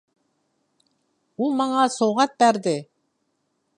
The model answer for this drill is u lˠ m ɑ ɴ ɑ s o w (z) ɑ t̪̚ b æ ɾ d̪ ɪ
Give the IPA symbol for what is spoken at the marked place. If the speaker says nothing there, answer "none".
ʁ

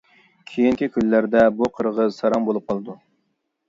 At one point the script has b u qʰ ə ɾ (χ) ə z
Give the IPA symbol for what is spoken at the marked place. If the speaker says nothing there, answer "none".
ʁ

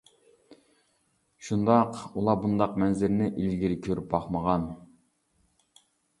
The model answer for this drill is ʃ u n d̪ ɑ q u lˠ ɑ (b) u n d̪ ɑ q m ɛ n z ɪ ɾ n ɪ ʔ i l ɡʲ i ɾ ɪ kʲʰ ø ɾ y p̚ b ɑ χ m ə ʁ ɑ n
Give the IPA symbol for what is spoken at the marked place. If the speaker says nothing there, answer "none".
b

